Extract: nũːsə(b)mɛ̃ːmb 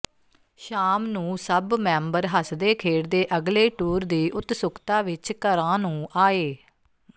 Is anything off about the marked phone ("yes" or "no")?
no